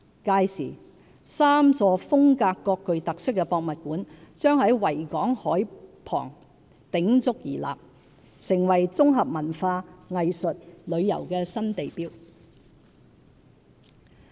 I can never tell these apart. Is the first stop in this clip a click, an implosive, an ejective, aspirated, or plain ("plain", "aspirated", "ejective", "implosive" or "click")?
plain